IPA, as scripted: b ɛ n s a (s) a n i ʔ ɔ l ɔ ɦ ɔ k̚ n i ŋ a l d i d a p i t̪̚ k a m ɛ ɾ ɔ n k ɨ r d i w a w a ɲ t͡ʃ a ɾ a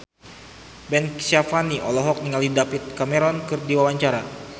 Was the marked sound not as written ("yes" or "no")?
yes